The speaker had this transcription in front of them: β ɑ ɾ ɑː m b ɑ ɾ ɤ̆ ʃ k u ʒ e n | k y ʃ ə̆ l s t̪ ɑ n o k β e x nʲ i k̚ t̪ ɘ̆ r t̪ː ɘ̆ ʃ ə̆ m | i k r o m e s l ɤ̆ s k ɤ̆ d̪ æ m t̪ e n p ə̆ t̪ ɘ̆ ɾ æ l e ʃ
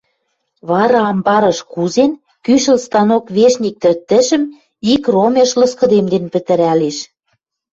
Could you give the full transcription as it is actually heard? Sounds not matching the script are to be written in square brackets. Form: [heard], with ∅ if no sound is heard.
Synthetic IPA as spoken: β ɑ ɾ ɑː m b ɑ ɾ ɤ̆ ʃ k u [z] e n | k y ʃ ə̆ l s t̪ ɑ n o k β e [ʃ] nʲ i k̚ t̪ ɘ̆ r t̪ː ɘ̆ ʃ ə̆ m | i k r o m e [ʃ] l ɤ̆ s k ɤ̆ d̪ [e] m [d̪] e n p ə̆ t̪ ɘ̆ ɾ æ l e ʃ